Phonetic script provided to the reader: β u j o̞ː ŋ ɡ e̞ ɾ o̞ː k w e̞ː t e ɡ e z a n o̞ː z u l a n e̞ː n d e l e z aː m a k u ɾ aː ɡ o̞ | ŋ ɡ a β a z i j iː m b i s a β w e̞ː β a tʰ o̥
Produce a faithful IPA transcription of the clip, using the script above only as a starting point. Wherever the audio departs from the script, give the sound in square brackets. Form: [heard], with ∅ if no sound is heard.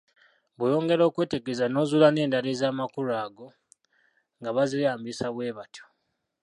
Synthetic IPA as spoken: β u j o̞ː ŋ ɡ e̞ ɾ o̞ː k w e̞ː t e ɡ e z a n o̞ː z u l a n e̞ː n d [a] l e z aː m a k u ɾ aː ɡ o̞ | ŋ ɡ a β a z i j [aː] m b i s a β w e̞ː β a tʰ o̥